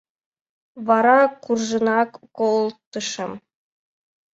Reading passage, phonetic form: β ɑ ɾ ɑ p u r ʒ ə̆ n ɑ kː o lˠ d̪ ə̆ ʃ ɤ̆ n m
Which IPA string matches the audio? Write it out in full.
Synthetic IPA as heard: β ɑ ɾ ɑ k u r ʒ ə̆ n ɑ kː o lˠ t̪ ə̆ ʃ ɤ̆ m